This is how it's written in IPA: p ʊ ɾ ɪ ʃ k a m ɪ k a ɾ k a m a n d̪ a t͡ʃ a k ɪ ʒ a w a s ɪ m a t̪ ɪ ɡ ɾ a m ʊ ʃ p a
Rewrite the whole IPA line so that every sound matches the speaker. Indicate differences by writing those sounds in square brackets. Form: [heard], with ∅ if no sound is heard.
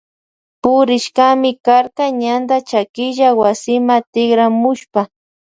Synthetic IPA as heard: p ʊ ɾ ɪ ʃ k a m ɪ k a ɾ k a [ɲ] a n d̪ a t͡ʃ a k ɪ ʒ a w a s ɪ m a t̪ ɪ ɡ ɾ a m ʊ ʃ p a

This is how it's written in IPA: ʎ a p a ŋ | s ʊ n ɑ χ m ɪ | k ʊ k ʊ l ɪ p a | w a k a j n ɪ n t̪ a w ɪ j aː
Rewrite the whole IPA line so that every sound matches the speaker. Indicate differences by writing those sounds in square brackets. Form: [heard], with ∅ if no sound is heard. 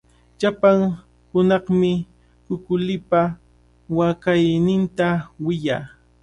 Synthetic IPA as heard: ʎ a p a ŋ | [h] ʊ n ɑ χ m ɪ | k ʊ k ʊ l ɪ p a | w a k a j n ɪ n t̪ a w ɪ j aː

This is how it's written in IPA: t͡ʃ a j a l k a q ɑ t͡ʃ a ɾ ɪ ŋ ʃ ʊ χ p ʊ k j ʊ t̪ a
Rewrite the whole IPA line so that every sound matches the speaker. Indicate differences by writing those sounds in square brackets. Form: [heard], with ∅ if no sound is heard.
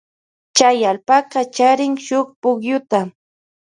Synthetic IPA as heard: t͡ʃ a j a l [p] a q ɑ t͡ʃ a ɾ ɪ ŋ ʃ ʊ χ p ʊ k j ʊ t̪ a

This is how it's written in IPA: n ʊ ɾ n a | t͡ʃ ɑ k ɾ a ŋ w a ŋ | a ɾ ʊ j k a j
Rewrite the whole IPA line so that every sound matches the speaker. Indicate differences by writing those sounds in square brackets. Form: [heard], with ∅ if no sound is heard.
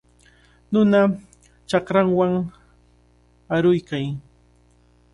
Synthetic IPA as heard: n ʊ [∅] n a | t͡ʃ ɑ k ɾ a ŋ w a ŋ | a ɾ ʊ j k a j

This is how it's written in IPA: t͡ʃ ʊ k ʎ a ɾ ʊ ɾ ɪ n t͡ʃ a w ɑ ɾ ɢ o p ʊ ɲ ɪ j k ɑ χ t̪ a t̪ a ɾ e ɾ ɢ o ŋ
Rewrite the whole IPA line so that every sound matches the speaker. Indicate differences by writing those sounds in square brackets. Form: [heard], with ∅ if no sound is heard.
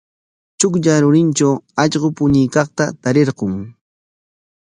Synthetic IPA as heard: t͡ʃ ʊ k ʎ a ɾ ʊ ɾ ɪ n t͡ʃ a w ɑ [ʎ] ɢ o p ʊ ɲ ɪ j k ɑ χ t̪ a t̪ a ɾ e ɾ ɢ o ŋ

